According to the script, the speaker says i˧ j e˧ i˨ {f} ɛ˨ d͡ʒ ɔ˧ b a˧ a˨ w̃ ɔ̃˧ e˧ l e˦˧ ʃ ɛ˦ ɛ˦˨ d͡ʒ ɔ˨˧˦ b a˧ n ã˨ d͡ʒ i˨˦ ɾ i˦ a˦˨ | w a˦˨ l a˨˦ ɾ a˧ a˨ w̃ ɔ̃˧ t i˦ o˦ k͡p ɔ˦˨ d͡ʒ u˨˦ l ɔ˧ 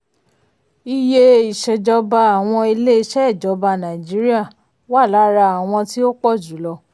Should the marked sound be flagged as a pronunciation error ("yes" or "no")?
yes